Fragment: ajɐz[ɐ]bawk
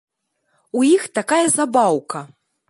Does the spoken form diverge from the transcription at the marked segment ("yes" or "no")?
yes